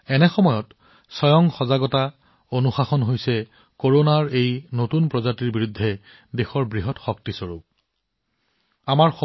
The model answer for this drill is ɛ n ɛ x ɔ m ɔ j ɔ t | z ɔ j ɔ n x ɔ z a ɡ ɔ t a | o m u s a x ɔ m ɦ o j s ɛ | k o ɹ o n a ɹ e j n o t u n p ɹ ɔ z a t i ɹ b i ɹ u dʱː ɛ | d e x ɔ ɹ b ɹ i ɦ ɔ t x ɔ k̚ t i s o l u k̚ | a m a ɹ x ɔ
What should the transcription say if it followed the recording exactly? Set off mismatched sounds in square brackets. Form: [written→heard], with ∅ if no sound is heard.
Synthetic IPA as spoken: ɛ n ɛ x ɔ m ɔ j ɔ t | [z→s] ɔ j ɔ [n→ŋ] x ɔ z a ɡ ɔ t a | o [m→n] u [s→x] a x ɔ [m→n] ɦ o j s ɛ | k o ɹ o n a ɹ e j n o t u n p ɹ ɔ z a t i ɹ b i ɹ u dʱː ɛ | d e x ɔ ɹ b ɹ i ɦ ɔ t x ɔ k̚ t i s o [l→ɹ] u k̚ | a m a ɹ x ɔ